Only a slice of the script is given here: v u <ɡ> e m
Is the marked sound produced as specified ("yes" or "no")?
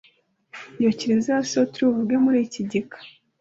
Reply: yes